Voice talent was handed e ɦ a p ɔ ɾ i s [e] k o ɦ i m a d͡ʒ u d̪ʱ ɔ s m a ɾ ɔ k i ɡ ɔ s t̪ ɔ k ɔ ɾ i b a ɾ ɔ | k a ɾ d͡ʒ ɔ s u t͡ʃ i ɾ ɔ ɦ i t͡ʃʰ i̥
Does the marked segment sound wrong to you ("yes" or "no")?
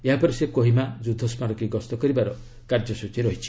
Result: no